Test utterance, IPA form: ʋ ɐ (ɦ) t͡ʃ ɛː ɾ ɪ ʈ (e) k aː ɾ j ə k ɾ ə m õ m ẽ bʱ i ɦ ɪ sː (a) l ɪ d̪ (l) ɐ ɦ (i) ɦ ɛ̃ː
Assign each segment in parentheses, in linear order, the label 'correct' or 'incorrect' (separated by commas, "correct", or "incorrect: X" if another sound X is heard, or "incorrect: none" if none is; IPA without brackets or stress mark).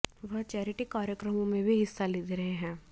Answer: correct, incorrect: i, correct, incorrect: ɾ, incorrect: e